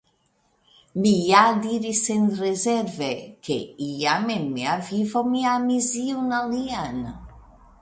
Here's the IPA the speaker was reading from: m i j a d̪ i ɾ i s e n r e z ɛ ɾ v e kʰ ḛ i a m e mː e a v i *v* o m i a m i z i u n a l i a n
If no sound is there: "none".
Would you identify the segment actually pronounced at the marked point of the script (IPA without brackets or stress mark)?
v